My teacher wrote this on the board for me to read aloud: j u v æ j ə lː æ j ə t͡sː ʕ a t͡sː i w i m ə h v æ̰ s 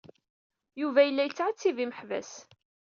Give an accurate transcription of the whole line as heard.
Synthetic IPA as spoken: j u v æ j ə lː æ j ə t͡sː ʕ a t͡sː i v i m ə ħ v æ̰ s